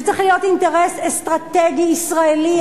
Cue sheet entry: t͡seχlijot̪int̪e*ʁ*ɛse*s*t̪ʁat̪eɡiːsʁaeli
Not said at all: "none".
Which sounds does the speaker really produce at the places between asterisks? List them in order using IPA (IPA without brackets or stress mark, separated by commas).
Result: ʁ, s